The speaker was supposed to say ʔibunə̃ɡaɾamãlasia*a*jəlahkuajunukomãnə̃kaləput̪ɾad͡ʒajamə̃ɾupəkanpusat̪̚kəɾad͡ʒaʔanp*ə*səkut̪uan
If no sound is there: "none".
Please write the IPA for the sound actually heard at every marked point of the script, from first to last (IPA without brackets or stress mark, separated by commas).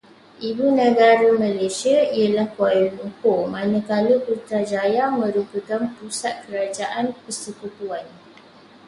i, ə